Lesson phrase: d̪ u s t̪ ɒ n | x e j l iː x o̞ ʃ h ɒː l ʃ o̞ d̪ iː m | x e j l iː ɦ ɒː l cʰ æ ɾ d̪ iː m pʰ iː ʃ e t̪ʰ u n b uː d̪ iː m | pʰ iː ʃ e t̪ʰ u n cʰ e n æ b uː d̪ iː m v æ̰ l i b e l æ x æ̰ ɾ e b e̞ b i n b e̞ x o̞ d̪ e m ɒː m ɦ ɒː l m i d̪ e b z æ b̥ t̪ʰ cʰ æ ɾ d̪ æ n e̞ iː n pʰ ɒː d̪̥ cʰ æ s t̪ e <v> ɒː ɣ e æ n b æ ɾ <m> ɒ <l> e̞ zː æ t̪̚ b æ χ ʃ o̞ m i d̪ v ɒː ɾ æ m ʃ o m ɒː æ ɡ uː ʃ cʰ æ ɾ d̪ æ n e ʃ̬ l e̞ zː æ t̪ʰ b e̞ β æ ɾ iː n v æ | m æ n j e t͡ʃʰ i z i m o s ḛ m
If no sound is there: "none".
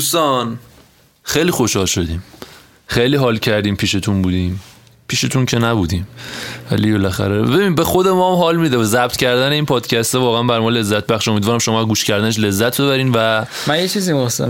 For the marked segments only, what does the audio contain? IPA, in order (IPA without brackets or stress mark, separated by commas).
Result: v, m, l